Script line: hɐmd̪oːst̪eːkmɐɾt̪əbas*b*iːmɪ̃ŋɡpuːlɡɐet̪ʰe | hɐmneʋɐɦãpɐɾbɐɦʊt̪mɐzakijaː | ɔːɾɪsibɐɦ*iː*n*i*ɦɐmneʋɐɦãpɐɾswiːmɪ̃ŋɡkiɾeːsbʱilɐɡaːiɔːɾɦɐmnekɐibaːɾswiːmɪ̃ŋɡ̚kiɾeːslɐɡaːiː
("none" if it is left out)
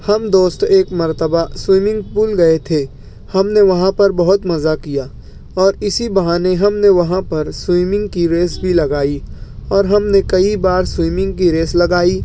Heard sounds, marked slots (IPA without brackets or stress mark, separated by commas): w, aː, e